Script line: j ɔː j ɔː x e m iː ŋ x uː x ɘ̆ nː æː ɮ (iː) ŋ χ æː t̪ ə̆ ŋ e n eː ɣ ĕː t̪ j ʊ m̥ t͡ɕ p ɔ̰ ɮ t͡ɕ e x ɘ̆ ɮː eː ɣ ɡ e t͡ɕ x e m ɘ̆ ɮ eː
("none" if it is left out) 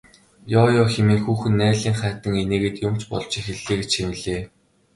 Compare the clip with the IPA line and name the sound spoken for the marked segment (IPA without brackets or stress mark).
iː